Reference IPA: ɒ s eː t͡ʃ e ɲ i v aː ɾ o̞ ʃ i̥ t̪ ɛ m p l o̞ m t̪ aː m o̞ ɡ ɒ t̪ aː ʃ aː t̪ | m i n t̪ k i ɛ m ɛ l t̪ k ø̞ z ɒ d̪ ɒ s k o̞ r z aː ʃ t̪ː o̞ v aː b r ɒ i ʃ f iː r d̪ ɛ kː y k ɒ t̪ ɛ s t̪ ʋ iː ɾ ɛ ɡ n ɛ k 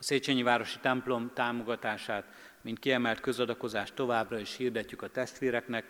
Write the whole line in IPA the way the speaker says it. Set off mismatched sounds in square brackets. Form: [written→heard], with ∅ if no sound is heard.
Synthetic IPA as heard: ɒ s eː t͡ʃ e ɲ i v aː ɾ o̞ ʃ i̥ t̪ ɛ m p l o̞ m t̪ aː m o̞ ɡ ɒ t̪ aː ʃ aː t̪ | m i n t̪ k i ɛ m ɛ l t̪ k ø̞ z ɒ d̪ ɒ [s→∅] k o̞ [r→∅] z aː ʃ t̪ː o̞ v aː b r ɒ i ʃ [f→h] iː r d̪ ɛ [kː→cː] y k ɒ t̪ ɛ s t̪ ʋ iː ɾ ɛ [ɡ→k] n ɛ k